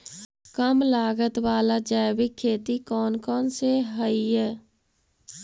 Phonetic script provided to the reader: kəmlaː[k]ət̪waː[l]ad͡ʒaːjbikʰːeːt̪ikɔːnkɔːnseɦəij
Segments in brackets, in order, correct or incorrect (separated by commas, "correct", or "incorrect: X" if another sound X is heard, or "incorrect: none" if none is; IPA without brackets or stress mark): incorrect: ɡ, correct